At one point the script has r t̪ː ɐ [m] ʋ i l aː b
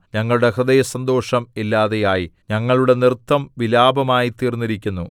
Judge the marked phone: correct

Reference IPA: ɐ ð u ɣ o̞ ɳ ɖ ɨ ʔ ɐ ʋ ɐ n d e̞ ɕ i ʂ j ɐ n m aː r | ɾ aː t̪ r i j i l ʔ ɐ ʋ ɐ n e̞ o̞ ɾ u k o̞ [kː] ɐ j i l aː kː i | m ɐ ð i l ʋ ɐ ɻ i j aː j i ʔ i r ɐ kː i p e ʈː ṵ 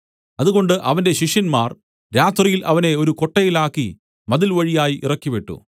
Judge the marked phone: incorrect: ʈː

